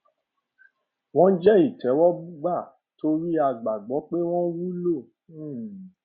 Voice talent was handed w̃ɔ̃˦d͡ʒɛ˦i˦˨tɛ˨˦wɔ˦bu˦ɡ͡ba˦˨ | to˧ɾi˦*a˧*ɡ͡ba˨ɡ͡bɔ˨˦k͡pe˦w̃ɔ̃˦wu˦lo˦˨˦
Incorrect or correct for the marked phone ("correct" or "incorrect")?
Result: correct